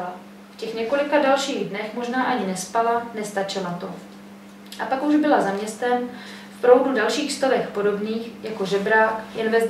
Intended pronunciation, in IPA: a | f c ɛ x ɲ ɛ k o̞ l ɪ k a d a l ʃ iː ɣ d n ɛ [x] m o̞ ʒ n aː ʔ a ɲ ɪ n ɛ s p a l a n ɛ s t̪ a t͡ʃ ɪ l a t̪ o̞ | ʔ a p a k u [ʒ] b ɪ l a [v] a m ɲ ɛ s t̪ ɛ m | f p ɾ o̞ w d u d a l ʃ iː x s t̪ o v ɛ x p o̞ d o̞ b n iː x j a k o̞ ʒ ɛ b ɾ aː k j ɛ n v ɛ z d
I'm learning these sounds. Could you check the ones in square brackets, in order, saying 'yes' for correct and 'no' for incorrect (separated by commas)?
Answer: yes, yes, no